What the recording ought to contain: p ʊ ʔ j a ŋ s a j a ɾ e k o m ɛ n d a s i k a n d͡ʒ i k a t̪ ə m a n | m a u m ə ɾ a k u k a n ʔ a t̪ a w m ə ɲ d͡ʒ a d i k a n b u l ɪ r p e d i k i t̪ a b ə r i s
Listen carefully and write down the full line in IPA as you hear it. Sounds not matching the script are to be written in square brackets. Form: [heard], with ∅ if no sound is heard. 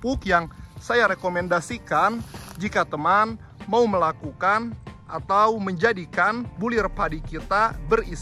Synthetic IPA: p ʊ [k] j a ŋ s a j a ɾ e k o m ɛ n d a s i k a n d͡ʒ i k a t̪ ə m a n | m a u m ə [l] a k u k a n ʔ a t̪ a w m ə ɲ d͡ʒ a d i k a n b u l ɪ r p [a] d i k i t̪ a b ə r i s

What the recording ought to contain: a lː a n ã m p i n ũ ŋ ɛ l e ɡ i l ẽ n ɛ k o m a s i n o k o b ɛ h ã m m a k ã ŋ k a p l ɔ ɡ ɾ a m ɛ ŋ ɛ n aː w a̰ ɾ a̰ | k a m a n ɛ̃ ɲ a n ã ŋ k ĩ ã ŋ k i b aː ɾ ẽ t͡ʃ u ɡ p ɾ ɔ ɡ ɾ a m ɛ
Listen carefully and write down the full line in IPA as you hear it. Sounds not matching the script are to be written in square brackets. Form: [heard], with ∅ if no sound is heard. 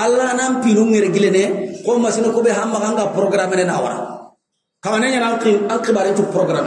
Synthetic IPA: a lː a n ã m p i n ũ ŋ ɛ [ɾ] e ɡ i l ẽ n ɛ k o m a s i n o k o b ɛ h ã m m a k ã ŋ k a p [ɾ] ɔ ɡ ɾ a m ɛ [n] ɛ n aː w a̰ ɾ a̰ | k a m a n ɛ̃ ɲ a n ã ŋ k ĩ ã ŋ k i b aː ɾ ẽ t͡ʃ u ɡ p ɾ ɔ ɡ ɾ a m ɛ

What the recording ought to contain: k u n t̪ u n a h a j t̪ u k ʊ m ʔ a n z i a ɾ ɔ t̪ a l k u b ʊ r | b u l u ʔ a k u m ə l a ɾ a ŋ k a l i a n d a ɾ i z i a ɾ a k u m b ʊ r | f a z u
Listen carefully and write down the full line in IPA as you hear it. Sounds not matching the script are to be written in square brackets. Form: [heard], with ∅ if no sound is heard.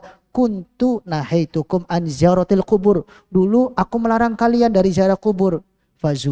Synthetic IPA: k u n t̪ u n a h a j t̪ u k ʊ m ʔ a n z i a ɾ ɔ t̪ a l k u b ʊ r | [d] u l u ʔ a k u m ə l a ɾ a ŋ k a l i a n d a ɾ i z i a ɾ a k u [∅] b ʊ r | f a z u

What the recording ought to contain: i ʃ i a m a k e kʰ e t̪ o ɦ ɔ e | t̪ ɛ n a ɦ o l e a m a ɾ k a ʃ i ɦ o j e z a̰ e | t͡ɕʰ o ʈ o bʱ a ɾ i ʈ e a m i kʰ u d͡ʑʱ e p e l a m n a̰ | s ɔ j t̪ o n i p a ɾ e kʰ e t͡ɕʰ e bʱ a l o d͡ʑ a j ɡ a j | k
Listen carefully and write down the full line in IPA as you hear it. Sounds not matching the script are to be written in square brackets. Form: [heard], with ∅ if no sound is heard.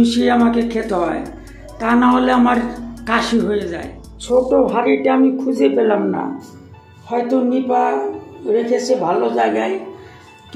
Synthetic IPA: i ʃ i a m a k e kʰ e t̪ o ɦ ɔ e | t̪ [a] n a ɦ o l e a m a ɾ k a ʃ i ɦ o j e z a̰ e | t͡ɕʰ o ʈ o bʱ a ɾ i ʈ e a m i kʰ u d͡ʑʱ e p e l a m n a̰ | [h] ɔ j t̪ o n i p a ɾ e kʰ e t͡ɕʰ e bʱ a l o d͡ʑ a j ɡ a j | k

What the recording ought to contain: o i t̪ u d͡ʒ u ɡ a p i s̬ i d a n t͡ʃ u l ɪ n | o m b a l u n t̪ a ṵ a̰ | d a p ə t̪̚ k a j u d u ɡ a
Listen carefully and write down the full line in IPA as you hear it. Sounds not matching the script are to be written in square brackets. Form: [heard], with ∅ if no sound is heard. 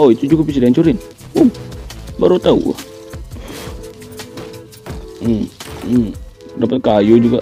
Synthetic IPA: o i t̪ u d͡ʒ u ɡ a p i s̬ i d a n t͡ʃ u [ɾ] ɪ n | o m b a [ɾ] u [∅] t̪ a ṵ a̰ | d a p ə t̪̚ k a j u [d͡ʒ] u ɡ a

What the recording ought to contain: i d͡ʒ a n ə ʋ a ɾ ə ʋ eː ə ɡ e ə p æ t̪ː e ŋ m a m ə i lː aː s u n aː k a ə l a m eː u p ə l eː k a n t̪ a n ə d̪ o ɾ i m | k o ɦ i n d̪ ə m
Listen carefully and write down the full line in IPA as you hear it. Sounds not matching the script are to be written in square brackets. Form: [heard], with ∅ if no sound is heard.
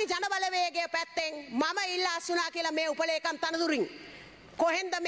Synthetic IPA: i d͡ʒ a n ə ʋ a [l] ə ʋ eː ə ɡ e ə p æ t̪ː e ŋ m a m ə i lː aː s u n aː k [i] ə l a m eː u p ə l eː k a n t̪ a n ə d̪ [u] ɾ i [ŋ] | k o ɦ [e] n d̪ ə m

